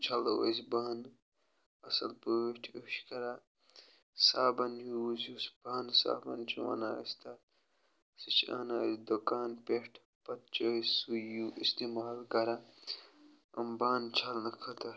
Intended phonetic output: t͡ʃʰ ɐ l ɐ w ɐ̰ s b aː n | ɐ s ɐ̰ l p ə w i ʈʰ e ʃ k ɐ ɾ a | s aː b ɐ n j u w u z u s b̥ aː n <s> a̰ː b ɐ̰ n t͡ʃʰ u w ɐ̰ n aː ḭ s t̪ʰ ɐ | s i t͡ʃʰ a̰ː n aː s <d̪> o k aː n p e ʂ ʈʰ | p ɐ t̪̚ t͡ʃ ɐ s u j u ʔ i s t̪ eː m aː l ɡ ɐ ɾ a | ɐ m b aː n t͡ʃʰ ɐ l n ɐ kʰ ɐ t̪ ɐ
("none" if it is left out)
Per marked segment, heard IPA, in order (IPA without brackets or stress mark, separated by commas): s, d̪